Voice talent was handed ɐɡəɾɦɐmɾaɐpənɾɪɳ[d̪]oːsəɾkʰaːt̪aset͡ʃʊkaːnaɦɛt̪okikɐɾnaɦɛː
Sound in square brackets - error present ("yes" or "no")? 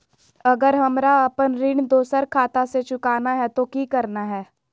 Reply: no